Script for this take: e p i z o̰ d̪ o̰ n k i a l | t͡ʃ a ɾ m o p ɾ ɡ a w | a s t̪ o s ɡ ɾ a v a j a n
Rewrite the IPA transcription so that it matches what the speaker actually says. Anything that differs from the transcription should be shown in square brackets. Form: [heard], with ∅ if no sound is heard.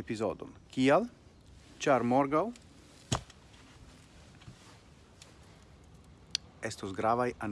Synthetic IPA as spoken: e p i z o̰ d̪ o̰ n k i a l | t͡ʃ a ɾ m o [∅] ɾ ɡ a w | [e] s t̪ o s ɡ ɾ a v a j a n